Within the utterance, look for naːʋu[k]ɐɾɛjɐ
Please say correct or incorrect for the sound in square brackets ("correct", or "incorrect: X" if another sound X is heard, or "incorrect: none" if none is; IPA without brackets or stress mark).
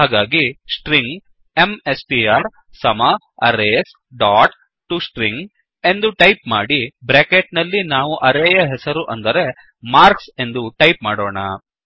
incorrect: ʔ